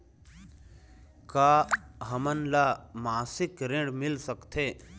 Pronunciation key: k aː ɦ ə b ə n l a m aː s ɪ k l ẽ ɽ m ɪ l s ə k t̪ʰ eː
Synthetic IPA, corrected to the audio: k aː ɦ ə m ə n l a m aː s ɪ k ɾ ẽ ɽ m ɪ l s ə k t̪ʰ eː